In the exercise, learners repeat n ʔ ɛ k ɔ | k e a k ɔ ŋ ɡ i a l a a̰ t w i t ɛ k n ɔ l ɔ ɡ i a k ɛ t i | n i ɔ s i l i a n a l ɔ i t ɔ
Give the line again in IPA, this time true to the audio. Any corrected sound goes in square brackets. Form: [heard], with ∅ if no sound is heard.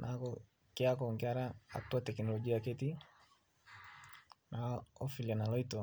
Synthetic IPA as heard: n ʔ [a] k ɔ | k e a k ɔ ŋ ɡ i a [ɾ] a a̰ t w [a] t ɛ k n ɔ l ɔ ɡ i a k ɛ t i | n [a] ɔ [f] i l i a n a l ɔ i t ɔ